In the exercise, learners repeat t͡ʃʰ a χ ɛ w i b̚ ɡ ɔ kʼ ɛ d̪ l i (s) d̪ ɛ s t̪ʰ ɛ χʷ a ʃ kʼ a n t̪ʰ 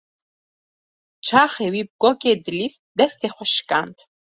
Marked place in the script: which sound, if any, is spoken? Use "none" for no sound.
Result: s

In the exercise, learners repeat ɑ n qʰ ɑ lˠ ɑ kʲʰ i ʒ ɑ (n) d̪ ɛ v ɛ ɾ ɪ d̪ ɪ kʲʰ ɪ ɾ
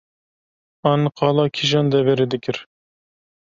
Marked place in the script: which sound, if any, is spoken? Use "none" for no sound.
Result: n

